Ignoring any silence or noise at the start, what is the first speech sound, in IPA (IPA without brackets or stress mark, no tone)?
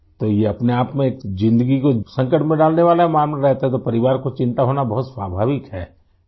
t̪